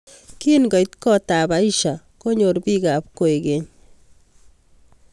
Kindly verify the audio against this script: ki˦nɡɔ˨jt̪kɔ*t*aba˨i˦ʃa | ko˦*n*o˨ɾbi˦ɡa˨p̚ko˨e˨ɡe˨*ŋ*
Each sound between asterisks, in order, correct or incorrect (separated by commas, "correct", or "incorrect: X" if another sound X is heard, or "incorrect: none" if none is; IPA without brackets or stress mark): correct, incorrect: ɲ, incorrect: ɲ